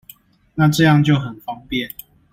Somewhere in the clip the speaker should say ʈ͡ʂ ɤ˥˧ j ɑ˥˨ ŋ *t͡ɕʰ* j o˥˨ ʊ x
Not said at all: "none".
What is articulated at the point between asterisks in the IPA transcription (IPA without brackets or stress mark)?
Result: t͡ɕ